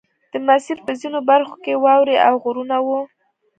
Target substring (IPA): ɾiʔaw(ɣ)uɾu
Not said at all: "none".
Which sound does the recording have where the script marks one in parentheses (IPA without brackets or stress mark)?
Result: ɣ